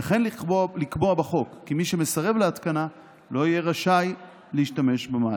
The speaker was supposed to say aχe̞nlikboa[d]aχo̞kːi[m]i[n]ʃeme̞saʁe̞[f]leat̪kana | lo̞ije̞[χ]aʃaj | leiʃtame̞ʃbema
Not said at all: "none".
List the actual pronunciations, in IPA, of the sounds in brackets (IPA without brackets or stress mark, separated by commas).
b, m, none, v, ʁ